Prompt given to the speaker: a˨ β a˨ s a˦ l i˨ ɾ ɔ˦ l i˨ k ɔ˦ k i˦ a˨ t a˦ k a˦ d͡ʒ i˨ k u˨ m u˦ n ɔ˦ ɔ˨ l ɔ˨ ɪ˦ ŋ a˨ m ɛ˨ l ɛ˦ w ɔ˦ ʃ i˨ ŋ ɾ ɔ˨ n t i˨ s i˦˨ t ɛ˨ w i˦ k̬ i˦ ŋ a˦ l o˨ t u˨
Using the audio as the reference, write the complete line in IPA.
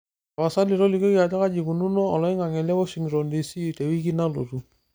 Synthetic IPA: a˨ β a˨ s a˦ l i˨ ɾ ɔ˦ l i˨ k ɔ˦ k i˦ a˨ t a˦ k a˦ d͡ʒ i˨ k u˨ n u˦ n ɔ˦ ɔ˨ l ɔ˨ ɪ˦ ŋ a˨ ŋ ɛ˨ l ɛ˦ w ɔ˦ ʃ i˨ ŋ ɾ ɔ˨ n d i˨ s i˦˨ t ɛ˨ w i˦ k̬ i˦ n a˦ l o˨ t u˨